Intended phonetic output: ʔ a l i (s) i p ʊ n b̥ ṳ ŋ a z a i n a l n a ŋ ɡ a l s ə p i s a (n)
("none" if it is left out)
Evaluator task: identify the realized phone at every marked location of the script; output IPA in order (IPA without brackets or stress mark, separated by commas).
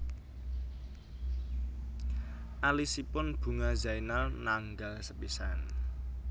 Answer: s, n